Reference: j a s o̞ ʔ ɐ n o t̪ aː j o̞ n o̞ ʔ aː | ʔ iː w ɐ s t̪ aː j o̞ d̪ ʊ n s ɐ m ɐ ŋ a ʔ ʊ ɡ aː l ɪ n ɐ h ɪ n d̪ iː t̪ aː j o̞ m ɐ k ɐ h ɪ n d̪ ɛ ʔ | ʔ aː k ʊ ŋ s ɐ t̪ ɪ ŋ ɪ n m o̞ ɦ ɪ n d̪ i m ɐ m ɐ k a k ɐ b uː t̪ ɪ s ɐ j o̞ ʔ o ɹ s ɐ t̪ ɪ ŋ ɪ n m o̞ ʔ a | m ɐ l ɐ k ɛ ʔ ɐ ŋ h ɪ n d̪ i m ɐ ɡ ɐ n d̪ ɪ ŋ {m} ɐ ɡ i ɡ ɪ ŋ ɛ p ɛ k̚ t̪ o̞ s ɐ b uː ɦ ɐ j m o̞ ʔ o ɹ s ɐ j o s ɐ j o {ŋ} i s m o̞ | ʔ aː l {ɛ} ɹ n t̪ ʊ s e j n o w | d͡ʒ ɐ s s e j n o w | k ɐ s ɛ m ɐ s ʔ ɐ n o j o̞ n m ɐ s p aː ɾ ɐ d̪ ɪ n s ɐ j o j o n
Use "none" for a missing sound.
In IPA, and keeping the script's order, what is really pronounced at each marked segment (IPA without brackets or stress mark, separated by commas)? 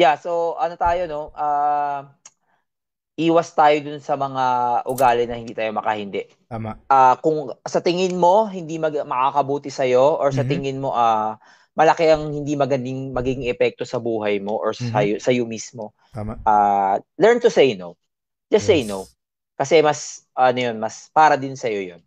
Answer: m, m, ɛ